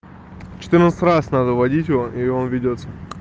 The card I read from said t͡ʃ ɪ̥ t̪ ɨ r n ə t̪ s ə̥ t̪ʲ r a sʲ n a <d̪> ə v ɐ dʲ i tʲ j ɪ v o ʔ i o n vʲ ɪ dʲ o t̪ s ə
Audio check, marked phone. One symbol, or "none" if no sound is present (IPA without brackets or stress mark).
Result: d̪